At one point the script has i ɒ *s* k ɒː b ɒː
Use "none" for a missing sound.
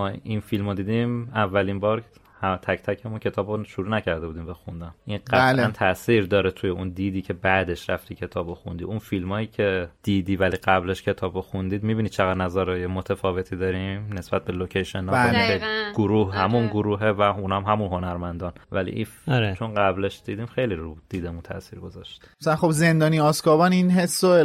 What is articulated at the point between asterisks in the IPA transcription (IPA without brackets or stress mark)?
s